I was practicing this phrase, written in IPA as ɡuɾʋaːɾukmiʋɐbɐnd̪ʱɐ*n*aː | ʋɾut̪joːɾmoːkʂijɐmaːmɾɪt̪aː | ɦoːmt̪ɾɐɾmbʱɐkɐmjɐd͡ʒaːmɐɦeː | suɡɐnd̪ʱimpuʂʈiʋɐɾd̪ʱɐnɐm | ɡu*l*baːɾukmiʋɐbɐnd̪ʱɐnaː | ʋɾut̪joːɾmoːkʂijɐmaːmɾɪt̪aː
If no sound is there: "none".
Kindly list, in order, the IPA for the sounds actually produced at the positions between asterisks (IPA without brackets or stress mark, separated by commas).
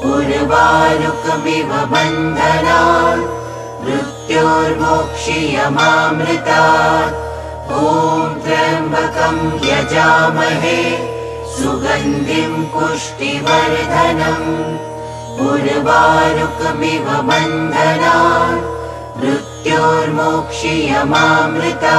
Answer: n, ɾ